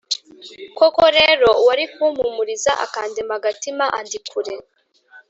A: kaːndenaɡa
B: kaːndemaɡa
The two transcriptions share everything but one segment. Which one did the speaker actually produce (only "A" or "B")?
B